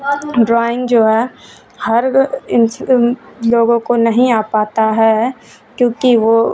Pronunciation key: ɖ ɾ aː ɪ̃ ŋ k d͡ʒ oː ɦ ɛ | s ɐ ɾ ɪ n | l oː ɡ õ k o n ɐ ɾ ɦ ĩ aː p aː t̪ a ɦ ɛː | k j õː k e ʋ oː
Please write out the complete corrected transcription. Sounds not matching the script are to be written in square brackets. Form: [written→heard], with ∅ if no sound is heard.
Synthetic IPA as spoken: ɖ ɾ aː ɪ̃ ŋ [k→ɡ] d͡ʒ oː ɦ ɛ | [s→h] ɐ ɾ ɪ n | l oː ɡ õ k o n ɐ [ɾ→∅] ɦ ĩ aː p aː t̪ a ɦ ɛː | k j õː k [e→i] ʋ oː